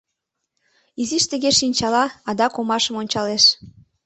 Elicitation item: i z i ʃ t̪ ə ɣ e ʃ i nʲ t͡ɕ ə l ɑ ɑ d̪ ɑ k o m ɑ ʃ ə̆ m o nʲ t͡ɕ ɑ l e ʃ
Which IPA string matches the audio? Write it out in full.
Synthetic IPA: i z i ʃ t̪ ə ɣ e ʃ i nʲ t͡ɕ ɑ l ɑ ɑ d̪ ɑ k o m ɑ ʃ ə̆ m o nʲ t͡ɕ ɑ l e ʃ

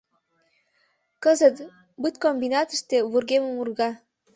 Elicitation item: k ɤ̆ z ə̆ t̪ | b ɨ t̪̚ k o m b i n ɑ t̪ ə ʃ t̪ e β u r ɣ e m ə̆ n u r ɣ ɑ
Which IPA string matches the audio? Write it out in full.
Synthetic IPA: k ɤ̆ z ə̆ t̪ | b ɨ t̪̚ k o m b i n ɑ t̪ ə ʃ t̪ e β u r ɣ e m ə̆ m u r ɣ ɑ

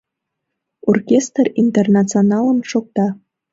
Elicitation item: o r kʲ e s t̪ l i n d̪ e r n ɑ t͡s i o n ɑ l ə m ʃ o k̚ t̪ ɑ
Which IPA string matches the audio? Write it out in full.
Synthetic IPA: o r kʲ e s t̪ r i n t̪ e r n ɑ t͡s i o n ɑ l ə m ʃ o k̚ t̪ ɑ

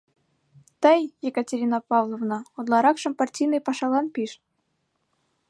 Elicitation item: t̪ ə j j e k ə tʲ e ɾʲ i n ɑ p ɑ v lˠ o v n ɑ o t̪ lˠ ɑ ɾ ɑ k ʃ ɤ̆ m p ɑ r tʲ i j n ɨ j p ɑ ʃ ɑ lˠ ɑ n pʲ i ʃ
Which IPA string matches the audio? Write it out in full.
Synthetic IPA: t̪ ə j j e k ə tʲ e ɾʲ i n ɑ p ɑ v lˠ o v n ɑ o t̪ lˠ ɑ ɾ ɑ k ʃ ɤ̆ m p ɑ r tʲ i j n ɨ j p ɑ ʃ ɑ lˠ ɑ n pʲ i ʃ

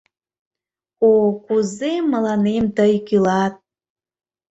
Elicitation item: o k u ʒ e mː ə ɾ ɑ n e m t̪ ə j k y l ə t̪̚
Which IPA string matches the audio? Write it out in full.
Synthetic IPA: o k u z e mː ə l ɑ n e m t̪ ə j k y l ɑ t̪̚

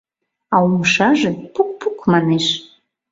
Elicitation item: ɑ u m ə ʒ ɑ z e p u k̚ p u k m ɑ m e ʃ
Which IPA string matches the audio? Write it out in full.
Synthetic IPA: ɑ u m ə ʃ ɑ ʒ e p u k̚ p u k m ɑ n e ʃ

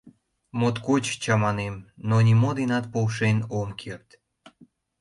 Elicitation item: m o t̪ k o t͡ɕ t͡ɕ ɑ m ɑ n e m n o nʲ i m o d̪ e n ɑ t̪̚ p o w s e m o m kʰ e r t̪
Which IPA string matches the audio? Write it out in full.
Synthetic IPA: m o t̪ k o t͡ɕ t͡ɕ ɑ m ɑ n e m n o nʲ i m o d̪ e n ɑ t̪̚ p o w ʃ e n o m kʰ e r t̪

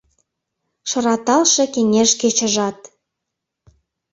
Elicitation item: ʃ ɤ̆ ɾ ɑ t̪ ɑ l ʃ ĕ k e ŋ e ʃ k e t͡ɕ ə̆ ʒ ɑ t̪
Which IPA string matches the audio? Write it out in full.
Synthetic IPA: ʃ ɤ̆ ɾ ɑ t̪ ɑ l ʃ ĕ k e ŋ e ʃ k e t͡ɕ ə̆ ʒ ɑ t̪

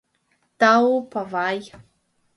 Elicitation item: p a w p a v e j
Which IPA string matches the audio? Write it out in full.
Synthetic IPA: t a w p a v a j

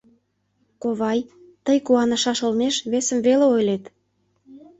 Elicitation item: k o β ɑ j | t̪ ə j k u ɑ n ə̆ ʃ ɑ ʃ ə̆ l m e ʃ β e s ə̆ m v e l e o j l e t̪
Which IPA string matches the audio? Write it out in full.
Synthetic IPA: k o β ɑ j | t̪ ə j k u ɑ n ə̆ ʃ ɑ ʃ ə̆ l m e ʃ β e s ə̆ m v e l e o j l e t̪

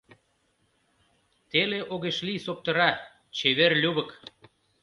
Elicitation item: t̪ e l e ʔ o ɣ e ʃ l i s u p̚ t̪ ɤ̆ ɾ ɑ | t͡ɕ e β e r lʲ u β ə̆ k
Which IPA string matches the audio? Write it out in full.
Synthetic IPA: t̪ e l e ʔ o ɣ e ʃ l i s o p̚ t̪ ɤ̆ ɾ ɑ | t͡ɕ e β e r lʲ u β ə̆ k

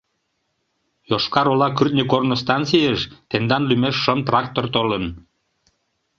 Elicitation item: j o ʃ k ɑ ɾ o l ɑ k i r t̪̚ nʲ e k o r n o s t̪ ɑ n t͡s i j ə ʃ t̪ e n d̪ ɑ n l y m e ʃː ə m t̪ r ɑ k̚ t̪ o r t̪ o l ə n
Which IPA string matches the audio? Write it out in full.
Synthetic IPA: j o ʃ k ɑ ɾ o l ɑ k y r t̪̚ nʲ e k o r n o s t̪ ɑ n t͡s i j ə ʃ t̪ e n d̪ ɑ n l y m e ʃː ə m t̪ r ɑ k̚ t̪ o r t̪ o l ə n

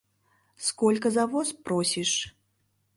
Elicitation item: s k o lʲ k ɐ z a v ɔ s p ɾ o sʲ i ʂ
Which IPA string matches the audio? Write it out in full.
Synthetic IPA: s k ɔ lʲ k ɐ z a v ɔ s p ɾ ɔ sʲ i ʂ

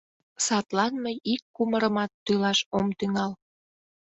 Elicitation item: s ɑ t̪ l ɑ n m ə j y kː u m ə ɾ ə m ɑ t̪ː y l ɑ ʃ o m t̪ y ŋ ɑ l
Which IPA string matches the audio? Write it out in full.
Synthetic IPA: s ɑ t̪ l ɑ n m ə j i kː u m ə ɾ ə m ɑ t̪ː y l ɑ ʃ o m t̪ y ŋ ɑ l

